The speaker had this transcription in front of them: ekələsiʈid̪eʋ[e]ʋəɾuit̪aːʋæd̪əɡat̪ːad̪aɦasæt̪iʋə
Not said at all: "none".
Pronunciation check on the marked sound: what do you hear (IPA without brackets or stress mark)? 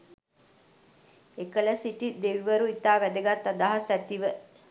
i